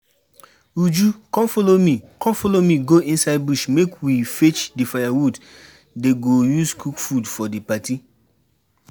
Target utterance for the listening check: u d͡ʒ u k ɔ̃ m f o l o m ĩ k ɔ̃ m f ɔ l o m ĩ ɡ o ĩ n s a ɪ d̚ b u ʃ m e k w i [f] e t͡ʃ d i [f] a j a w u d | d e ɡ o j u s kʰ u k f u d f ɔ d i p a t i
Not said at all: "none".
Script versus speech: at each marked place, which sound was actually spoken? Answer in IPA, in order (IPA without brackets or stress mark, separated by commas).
f, f